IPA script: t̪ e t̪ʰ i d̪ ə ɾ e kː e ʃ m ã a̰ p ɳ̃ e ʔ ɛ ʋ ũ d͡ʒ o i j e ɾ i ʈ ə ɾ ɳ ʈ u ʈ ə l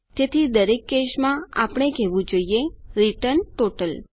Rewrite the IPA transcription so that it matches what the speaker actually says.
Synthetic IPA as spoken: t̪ e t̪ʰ i d̪ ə ɾ e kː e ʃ m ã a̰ p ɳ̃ e k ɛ ʋ ũ d͡ʒ o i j e ɾ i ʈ ə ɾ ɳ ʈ o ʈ ə l